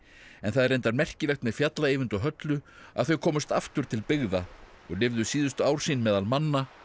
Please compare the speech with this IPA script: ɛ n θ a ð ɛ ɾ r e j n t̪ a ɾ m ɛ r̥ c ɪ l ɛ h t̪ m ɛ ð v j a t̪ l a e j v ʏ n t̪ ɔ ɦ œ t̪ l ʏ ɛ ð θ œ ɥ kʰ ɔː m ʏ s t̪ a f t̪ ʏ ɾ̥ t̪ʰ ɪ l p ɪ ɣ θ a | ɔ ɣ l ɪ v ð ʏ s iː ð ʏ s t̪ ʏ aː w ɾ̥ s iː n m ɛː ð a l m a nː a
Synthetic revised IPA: ɛ n θ a ð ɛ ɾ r e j n t̪ a ɾ m ɛ r̥ c ɪ l ɛ x t̪ m ɛ ð f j a t̪ l a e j v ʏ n t̪ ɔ ɦ œ t̪ l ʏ a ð θ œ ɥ kʰ ɔː m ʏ s t̪ a f t̪ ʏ ɾ̥ t̪ʰ ɪ l p ɪ ɣ ð a | ɔ ɣ l ɪ v ð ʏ s iː ð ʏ s t̪ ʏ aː w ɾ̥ s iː n m ɛː ð a l m a nː a